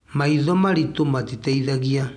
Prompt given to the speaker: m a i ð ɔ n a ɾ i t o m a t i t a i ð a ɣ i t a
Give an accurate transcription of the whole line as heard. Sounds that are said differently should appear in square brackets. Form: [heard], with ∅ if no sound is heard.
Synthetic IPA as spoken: m a i ð ɔ [m] a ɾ i t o m a t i t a i ð a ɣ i [∅] a